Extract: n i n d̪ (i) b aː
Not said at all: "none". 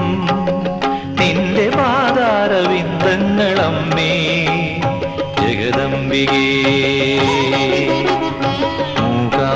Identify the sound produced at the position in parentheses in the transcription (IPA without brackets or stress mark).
e